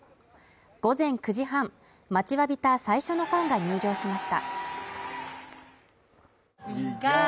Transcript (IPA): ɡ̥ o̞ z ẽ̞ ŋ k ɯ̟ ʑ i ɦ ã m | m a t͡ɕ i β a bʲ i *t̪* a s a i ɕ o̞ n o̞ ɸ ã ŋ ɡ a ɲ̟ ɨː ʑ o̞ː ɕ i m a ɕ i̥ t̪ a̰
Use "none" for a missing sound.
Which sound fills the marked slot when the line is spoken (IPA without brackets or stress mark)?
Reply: t̪